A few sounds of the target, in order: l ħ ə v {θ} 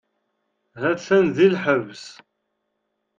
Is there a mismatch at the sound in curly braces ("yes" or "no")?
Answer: yes